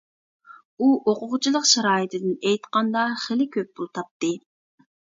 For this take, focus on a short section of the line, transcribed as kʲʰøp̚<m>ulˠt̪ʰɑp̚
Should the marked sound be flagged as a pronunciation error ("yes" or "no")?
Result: yes